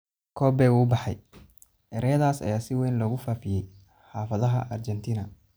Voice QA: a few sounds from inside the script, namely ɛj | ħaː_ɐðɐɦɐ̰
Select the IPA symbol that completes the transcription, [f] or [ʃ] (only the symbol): f